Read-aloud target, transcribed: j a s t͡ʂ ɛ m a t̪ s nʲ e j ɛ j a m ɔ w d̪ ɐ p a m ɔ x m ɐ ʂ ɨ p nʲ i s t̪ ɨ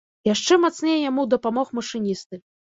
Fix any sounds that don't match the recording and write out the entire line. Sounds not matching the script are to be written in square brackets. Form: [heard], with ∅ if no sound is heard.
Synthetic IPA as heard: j a [ʂ] t͡ʂ ɛ m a t̪ s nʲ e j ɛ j a m [u] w d̪ ɐ p a m ɔ x m ɐ ʂ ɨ [∅] nʲ i s t̪ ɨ